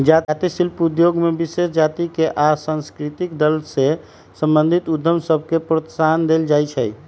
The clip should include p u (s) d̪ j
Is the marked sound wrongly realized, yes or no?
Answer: yes